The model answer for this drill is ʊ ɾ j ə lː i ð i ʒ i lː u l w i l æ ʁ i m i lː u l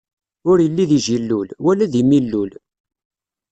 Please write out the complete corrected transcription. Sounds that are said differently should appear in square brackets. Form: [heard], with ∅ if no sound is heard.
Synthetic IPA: ʊ ɾ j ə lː i ð i ʒ i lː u l w [æ] l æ [ð] i m i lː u l